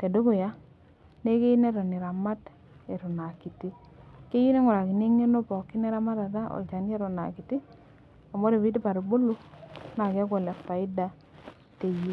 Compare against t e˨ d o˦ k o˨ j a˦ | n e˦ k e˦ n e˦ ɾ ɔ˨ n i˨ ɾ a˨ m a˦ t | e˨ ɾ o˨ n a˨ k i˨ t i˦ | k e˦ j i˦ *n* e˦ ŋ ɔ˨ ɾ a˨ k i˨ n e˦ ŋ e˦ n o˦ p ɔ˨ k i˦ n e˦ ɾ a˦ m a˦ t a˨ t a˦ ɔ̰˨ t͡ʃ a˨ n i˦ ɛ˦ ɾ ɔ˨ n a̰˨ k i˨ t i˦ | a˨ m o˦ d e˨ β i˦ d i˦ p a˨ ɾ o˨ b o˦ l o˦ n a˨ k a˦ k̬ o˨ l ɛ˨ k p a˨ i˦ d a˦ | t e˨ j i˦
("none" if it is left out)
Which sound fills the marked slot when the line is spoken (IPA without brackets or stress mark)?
n